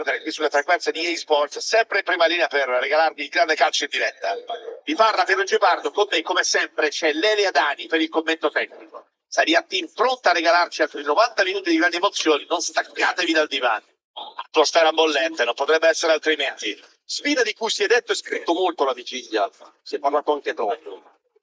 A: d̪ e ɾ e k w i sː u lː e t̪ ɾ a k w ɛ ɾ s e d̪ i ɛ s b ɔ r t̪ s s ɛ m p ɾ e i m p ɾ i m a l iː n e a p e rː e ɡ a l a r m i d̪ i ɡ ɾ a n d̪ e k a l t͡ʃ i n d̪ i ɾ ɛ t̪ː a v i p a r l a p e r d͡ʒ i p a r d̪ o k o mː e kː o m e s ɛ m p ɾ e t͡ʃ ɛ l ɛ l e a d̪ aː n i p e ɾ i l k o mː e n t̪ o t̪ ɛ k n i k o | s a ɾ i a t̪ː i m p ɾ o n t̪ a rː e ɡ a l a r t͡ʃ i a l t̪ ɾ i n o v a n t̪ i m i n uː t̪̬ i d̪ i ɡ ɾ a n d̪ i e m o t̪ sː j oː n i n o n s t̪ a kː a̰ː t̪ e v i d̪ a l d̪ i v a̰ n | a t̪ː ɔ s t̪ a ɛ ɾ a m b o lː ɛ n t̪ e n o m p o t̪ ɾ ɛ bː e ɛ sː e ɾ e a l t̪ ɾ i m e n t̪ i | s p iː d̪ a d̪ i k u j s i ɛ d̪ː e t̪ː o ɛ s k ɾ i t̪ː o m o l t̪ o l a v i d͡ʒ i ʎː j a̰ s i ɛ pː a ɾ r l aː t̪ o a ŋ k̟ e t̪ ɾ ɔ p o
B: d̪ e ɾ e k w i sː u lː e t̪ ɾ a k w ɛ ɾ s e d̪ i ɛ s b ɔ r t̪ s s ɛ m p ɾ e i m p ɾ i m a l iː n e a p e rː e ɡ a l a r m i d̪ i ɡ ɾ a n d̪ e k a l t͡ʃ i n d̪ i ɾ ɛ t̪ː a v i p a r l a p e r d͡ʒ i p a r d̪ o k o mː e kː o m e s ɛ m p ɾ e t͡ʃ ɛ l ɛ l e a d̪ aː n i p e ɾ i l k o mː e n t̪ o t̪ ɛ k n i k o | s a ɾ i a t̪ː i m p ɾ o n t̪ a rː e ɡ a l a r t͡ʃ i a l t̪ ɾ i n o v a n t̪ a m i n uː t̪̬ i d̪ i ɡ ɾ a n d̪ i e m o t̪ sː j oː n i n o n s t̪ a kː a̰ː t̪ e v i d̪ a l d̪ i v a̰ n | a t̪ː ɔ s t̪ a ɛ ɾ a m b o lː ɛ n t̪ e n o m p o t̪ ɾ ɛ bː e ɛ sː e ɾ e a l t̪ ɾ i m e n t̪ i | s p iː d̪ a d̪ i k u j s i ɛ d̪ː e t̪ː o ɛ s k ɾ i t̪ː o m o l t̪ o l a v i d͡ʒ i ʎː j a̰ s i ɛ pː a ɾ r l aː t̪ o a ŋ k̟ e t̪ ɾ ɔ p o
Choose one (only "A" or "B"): B